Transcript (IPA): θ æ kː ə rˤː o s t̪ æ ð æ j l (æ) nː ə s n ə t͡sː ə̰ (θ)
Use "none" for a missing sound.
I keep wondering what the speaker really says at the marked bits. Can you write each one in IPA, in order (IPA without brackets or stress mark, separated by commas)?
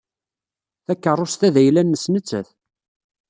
æ, θ